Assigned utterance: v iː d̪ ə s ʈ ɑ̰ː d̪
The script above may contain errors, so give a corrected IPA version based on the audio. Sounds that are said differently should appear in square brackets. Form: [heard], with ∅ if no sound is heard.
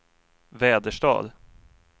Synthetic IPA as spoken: v [ɛː] d̪ ə [ʂ] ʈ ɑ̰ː d̪